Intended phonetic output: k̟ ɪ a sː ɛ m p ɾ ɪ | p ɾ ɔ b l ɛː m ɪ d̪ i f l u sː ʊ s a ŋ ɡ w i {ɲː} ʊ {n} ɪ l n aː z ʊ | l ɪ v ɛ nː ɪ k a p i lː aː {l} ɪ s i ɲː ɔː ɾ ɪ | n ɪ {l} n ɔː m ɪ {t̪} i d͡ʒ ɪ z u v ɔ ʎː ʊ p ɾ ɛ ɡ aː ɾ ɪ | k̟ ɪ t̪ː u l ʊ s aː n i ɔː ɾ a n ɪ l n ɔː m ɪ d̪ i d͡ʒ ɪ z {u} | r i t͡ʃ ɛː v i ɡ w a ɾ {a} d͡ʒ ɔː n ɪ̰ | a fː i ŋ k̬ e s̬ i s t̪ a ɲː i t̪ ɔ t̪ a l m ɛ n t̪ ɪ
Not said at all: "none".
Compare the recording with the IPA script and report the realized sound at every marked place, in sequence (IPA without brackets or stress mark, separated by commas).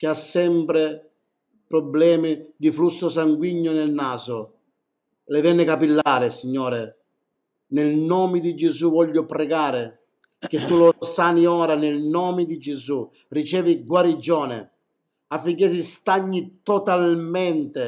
ɲː, n, ɾ, l, d̪, u, i